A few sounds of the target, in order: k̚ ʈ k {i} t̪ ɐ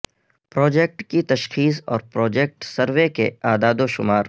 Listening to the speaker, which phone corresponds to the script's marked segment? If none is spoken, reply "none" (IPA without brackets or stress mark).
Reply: i